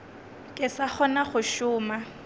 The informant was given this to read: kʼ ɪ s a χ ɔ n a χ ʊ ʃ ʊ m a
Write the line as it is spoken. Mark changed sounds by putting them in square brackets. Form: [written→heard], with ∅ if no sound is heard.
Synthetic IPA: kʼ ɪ s a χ ɔ n a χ ʊ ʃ [ʊ→ʊː] m a